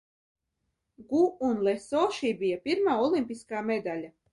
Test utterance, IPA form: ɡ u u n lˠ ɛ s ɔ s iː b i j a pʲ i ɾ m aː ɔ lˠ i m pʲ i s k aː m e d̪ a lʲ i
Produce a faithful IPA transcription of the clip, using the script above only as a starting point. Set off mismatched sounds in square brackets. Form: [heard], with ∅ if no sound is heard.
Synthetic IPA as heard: ɡ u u n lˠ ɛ s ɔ [ʃ] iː b i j a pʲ i ɾ m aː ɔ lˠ i m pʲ i s k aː m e d̪ a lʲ [a]